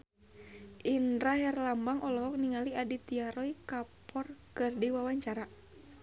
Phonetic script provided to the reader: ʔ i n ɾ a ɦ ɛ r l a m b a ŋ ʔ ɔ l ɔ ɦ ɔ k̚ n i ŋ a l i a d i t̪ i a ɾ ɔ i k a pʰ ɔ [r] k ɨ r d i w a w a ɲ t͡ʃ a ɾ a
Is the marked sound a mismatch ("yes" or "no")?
no